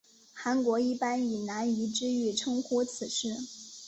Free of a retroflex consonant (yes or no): no